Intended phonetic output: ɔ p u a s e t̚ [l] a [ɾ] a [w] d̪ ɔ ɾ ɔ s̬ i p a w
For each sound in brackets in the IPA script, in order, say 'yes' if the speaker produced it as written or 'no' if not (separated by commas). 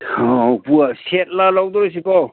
yes, no, yes